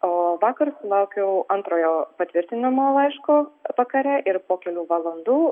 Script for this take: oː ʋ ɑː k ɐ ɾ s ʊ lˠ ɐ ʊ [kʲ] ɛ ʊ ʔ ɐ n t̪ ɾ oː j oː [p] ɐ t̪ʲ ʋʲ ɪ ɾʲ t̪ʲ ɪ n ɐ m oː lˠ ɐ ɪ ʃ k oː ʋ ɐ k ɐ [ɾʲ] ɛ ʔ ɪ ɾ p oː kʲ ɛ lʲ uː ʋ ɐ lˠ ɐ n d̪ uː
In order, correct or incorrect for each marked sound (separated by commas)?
correct, correct, correct